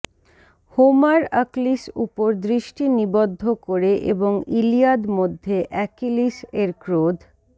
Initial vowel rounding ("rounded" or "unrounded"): rounded